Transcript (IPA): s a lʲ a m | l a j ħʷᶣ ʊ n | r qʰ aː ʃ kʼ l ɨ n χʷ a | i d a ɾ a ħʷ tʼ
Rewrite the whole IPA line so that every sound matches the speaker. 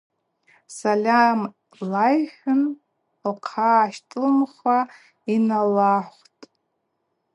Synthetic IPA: s a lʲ a m | l a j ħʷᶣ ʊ n | l qʰ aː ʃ tʼ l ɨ m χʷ a | i n a l a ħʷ tʼ